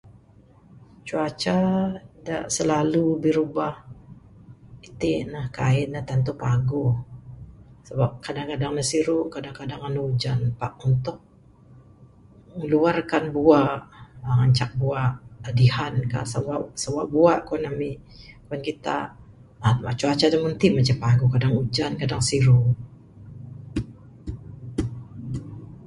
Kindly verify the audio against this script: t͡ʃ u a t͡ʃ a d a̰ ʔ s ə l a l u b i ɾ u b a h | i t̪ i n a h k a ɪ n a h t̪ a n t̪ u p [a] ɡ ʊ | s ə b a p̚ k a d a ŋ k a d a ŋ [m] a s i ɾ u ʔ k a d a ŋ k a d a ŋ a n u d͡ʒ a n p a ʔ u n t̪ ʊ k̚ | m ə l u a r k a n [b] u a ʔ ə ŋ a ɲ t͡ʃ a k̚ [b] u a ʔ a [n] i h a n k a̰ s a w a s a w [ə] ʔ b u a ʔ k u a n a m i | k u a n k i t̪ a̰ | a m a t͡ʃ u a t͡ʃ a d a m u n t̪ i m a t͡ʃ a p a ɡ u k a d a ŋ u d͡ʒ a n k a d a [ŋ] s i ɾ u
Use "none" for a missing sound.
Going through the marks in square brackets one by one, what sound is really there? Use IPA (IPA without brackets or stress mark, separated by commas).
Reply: a, n, b, b, d, a, ŋ